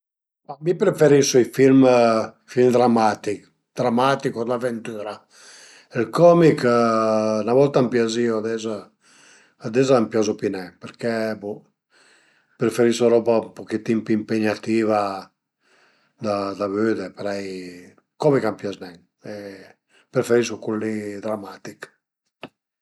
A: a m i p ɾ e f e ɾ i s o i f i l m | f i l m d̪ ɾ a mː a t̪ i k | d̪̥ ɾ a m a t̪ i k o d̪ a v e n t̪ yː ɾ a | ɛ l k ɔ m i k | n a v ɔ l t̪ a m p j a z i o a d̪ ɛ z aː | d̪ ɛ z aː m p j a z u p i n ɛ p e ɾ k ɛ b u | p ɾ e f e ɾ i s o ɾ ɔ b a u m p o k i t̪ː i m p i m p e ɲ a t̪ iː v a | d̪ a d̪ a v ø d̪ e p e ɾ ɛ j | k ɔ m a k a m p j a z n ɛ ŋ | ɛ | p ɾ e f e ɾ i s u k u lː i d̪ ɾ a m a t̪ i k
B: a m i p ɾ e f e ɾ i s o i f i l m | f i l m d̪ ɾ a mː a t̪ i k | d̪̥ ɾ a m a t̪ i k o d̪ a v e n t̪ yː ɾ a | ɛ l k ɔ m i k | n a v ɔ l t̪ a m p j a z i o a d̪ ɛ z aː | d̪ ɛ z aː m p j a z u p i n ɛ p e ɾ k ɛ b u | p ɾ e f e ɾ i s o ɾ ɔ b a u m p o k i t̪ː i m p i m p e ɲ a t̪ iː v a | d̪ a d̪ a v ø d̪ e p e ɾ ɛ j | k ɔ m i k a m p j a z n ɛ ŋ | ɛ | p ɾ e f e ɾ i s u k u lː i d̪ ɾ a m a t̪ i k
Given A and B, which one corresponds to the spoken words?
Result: B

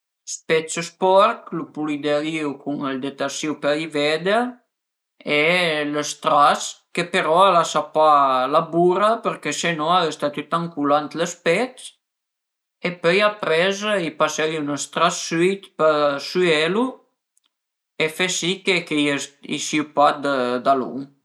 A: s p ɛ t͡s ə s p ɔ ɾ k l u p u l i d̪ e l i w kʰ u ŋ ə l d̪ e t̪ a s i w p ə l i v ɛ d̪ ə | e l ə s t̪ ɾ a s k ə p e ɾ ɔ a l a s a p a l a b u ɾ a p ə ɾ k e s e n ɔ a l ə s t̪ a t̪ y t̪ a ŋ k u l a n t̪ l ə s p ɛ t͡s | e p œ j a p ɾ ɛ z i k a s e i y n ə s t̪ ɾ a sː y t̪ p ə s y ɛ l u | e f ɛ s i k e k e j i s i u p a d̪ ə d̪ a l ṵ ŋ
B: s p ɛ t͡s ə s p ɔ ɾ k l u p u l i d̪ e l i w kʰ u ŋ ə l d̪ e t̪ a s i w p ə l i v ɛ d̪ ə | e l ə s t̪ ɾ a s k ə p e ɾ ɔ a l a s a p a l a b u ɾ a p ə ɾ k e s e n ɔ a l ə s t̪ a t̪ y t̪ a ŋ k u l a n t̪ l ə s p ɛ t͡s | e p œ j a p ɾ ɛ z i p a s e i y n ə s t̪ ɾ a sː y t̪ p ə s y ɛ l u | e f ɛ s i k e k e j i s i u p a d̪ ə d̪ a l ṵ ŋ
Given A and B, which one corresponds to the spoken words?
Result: B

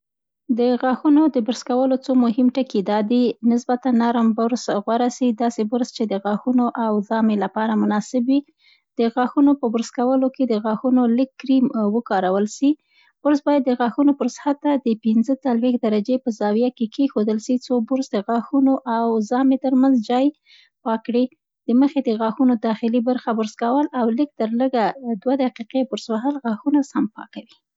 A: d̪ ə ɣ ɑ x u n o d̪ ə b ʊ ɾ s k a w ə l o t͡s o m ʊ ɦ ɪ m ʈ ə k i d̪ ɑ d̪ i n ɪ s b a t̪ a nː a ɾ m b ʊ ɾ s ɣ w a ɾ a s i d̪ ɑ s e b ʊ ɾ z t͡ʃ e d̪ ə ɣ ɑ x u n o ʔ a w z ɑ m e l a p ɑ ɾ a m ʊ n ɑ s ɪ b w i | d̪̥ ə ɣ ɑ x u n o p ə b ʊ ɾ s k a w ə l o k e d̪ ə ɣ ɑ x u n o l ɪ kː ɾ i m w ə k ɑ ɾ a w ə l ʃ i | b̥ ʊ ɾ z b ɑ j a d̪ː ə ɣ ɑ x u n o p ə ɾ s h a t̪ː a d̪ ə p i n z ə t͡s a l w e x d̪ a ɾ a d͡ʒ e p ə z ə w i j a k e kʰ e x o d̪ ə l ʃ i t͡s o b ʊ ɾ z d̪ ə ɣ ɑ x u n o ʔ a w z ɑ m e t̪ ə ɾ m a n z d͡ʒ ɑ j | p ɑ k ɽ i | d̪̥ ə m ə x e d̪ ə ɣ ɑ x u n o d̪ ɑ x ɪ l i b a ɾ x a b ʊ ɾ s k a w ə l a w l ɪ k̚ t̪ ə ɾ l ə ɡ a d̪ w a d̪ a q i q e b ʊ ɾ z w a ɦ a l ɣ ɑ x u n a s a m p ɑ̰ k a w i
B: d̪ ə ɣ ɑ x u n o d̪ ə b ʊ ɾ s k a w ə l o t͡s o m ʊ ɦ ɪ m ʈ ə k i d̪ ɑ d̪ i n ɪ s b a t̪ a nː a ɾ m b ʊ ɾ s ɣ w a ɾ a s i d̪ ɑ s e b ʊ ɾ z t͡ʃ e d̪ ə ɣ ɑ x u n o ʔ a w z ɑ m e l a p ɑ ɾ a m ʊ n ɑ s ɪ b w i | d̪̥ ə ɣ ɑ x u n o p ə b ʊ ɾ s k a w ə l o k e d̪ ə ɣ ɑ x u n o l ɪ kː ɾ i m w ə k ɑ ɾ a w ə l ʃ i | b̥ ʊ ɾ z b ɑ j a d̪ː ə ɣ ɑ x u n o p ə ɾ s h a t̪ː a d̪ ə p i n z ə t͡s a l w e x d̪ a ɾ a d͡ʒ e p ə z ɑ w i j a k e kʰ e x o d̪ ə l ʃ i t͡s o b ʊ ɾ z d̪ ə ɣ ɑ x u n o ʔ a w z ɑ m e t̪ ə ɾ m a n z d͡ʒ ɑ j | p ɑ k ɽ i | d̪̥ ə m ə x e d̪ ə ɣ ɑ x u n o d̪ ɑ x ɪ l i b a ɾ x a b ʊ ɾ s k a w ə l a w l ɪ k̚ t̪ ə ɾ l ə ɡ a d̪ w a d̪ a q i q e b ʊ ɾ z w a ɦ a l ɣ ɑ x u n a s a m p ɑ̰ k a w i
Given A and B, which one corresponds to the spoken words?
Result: B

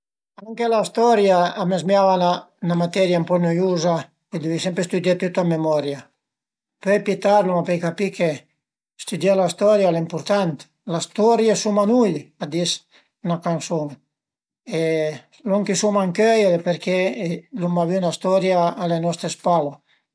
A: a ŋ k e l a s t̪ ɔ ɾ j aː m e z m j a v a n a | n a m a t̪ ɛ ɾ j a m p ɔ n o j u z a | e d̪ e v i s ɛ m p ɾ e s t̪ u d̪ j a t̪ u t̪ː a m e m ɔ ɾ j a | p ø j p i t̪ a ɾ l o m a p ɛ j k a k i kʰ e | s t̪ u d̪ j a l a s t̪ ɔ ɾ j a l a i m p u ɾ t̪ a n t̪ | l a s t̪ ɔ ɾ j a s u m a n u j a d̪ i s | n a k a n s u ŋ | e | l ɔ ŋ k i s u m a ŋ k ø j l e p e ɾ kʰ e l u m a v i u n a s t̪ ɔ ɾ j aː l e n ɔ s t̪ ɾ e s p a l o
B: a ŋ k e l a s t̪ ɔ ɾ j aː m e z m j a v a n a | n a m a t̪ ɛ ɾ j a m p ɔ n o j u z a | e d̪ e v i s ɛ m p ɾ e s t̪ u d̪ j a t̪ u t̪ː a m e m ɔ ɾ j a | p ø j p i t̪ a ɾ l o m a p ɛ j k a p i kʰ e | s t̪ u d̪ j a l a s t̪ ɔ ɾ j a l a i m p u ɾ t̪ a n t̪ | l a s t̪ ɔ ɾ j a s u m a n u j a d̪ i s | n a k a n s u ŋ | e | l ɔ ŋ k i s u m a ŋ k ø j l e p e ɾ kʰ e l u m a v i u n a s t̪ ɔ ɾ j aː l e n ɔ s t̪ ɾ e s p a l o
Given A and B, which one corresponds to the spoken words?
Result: B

